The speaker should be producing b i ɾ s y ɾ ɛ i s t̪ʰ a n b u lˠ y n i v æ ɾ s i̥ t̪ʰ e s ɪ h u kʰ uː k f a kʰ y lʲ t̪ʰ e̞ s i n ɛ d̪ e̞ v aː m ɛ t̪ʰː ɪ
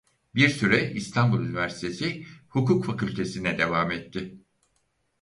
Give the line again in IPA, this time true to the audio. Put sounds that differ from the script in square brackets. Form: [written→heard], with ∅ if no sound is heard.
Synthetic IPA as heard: b i ɾ s y ɾ ɛ i s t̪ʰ a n b u lˠ y n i v æ ɾ s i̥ t̪ʰ e s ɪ h u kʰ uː k f a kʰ y lʲ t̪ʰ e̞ s i n ɛ d̪ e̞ v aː m ɛ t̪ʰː ɪ